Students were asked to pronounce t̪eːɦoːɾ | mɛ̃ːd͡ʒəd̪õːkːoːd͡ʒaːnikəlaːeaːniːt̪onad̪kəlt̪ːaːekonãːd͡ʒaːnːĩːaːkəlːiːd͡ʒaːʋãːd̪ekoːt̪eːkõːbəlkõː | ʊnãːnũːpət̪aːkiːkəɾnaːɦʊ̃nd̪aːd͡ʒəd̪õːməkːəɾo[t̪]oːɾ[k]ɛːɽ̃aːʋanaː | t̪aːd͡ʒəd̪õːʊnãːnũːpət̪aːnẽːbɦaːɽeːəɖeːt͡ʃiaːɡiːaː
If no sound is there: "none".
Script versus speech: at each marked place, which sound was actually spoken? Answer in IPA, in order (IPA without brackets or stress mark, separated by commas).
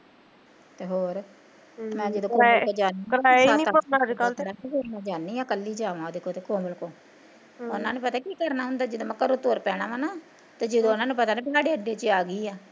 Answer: t̪, p